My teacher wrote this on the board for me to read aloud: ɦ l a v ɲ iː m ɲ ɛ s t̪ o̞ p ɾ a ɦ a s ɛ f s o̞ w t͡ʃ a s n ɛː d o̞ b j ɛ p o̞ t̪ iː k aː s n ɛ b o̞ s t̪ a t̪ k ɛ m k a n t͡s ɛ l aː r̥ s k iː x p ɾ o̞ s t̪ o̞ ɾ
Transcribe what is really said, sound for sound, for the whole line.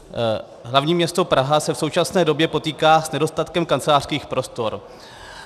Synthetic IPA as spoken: ɦ l a v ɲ iː m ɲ ɛ s t̪ o̞ p ɾ a ɦ a s ɛ f s o̞ w t͡ʃ a s n ɛː d o̞ b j ɛ p o̞ t̪ iː k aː s n ɛ d o̞ s t̪ a t̪ k ɛ m k a n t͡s ɛ l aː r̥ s k iː x p ɾ o̞ s t̪ o̞ ɾ